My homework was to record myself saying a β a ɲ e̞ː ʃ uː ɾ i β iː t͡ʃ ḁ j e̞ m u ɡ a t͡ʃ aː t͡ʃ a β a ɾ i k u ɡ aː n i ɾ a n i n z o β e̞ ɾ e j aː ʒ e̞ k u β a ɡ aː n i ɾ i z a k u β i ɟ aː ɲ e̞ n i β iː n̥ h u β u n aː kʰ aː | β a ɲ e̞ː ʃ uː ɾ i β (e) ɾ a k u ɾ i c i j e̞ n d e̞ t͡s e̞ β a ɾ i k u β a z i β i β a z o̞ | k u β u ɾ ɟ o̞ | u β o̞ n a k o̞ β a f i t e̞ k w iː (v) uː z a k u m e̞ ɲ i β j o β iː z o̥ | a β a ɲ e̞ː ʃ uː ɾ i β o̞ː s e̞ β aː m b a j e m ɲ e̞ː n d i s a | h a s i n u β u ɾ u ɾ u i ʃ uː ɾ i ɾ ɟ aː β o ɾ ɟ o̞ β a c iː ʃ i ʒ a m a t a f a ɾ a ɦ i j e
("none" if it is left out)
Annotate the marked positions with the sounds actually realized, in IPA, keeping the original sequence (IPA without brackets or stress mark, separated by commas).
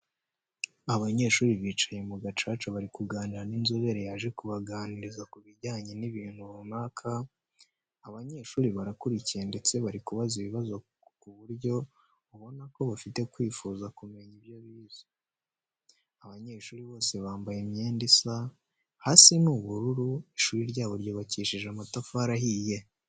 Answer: a, f